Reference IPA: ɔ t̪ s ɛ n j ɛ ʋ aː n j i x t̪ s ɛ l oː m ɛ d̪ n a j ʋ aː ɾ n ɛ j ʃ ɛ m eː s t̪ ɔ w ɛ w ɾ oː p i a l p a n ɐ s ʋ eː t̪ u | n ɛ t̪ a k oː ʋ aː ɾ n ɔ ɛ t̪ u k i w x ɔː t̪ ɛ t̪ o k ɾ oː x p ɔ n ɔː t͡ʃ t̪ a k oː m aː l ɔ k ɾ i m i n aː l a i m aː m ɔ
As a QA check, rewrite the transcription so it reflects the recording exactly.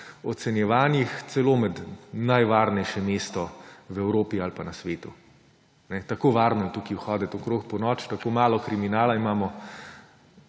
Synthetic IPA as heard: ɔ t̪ s ɛ n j ɛ ʋ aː n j i x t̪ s ɛ l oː m ɛ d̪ n a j ʋ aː ɾ n ɛ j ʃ ɛ m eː s t̪ ɔ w ɛ w ɾ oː p i a l p a n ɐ s ʋ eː t̪ u | n ɛ t̪ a k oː ʋ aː ɾ n ɔ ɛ t̪ u k i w x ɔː d̪ ɛ t̪ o k ɾ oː x p ɔ n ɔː t͡ʃ t̪ a k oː m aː l ɔ k ɾ i m i n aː l a i m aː m ɔ